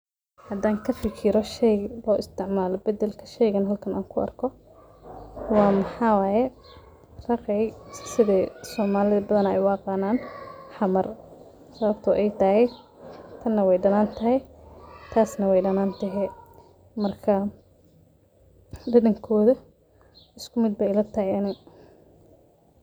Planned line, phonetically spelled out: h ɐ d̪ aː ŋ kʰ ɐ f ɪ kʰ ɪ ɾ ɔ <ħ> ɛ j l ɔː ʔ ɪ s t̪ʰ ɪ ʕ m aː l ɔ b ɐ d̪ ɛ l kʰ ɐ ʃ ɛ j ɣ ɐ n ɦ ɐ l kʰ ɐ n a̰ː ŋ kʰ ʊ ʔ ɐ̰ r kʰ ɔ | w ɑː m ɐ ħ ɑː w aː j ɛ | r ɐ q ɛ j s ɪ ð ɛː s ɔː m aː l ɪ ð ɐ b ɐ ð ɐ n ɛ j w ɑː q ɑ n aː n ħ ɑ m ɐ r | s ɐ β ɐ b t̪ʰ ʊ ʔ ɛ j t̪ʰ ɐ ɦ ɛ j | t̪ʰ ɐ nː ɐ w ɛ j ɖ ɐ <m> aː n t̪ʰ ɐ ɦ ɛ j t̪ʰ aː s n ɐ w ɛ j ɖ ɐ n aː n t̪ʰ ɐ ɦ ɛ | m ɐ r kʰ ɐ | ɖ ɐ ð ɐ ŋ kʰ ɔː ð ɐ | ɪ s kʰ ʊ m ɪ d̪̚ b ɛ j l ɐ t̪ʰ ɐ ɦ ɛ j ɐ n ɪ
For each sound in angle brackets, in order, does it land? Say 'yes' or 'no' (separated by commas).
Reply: no, no